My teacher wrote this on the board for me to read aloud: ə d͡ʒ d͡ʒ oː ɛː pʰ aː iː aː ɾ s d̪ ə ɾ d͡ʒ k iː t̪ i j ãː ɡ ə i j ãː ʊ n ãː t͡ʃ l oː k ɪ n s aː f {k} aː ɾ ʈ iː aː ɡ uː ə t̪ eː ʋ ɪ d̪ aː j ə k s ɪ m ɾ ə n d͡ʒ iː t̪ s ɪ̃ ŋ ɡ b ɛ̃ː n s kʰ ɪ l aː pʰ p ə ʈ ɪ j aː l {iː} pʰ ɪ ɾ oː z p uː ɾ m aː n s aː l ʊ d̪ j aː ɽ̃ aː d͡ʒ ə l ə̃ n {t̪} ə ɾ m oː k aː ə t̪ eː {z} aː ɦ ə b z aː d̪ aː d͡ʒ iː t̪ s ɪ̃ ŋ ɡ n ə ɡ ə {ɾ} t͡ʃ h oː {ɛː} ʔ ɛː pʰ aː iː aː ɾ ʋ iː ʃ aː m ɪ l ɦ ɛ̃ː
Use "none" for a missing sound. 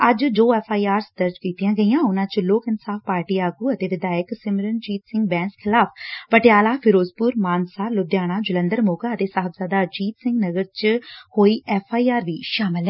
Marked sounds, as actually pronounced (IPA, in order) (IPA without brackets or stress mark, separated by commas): p, aː, d̪, s, ɾ, iː